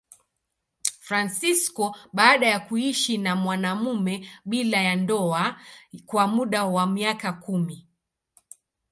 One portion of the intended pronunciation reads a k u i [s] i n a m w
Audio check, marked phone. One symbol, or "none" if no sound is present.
ʃ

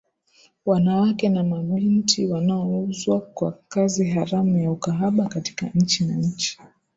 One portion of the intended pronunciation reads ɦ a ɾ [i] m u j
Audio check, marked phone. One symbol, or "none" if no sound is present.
a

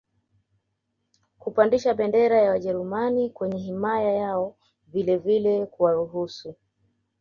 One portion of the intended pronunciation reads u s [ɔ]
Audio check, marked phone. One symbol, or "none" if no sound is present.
u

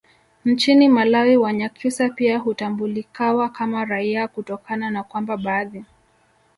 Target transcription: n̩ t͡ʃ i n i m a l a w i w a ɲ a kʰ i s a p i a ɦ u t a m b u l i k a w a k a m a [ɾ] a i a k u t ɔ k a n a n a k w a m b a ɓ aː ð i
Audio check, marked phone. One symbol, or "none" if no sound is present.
ɾ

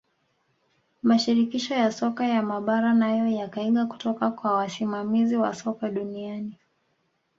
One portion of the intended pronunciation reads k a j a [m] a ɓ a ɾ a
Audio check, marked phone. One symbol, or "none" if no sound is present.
m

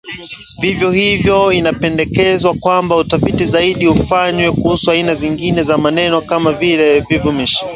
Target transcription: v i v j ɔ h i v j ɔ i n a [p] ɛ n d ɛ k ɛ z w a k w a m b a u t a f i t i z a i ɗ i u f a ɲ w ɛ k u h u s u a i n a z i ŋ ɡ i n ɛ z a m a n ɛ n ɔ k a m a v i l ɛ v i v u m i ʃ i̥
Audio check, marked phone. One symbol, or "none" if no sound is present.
p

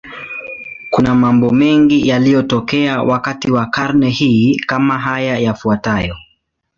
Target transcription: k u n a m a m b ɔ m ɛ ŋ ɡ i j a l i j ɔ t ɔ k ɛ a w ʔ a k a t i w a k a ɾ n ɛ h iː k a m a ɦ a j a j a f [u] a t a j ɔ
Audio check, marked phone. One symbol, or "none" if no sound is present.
u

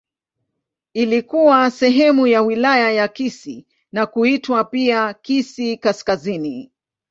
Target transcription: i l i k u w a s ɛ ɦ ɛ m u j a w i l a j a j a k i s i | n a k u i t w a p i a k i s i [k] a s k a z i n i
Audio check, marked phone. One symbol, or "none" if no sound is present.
k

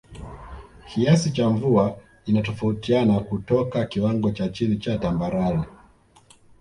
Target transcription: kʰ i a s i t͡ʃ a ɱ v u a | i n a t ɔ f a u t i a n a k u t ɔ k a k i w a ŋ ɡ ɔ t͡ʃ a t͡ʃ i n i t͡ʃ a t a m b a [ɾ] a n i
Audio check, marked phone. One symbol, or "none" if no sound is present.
ɾ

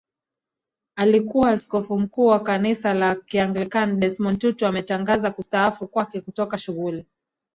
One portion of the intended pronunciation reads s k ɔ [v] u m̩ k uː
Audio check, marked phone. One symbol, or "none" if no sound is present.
f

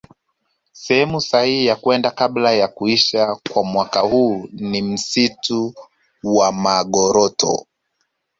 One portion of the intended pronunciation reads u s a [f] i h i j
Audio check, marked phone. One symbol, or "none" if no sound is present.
h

